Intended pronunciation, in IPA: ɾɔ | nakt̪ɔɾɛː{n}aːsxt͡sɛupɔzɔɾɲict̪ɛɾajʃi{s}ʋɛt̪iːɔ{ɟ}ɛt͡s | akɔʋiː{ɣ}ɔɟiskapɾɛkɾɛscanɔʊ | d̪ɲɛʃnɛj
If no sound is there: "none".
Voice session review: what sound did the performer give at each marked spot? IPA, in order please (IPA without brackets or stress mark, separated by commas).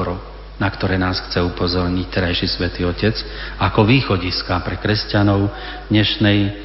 n, s, c, x